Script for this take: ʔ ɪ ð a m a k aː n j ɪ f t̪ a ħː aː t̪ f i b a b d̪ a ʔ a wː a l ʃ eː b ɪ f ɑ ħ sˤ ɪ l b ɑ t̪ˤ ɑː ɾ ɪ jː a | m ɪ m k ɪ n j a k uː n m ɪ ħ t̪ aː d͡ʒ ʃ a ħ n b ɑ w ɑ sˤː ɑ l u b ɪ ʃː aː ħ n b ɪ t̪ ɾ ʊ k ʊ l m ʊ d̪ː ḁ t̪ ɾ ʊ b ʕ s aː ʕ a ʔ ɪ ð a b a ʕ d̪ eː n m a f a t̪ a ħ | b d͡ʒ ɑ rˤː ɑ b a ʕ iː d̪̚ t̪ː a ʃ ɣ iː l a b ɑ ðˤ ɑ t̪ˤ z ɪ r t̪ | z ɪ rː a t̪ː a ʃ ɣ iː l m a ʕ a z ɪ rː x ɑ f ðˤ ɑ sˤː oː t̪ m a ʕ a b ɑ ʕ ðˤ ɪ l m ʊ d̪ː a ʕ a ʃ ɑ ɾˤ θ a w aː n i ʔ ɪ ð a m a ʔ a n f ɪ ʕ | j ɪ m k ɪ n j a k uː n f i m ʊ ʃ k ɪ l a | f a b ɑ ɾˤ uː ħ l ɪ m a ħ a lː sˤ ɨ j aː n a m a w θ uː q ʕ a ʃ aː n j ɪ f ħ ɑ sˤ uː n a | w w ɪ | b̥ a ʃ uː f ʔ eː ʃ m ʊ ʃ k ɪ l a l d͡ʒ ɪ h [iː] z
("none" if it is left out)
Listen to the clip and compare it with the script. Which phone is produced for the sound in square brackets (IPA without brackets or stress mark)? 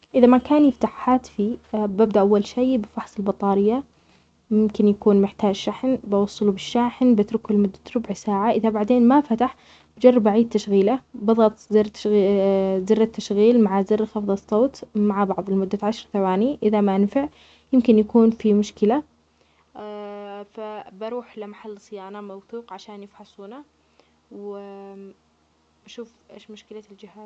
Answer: aː